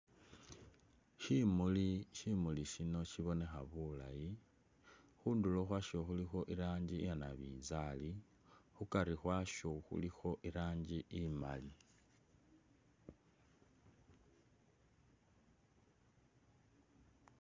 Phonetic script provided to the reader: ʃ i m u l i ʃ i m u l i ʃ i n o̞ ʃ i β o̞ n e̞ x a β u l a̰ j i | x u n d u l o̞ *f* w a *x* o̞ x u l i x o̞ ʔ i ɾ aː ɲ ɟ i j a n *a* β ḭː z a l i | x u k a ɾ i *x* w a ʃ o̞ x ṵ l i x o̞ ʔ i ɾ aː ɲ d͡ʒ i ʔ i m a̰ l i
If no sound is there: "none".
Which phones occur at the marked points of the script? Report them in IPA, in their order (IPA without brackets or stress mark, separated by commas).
x, ʃ, a, x